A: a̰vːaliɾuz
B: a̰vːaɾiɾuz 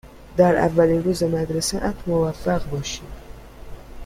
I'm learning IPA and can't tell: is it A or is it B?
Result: A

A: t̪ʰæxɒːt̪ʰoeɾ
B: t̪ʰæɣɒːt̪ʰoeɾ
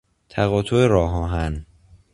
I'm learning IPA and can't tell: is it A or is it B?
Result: B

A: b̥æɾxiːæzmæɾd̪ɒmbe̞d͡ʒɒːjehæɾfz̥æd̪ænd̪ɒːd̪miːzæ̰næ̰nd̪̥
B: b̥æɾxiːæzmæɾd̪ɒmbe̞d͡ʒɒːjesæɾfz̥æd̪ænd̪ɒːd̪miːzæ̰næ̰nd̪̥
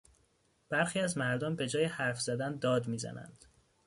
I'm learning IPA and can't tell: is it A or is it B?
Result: A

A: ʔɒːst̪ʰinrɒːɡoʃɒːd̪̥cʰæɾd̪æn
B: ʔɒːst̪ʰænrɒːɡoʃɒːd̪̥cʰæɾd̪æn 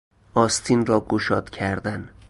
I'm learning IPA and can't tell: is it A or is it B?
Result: A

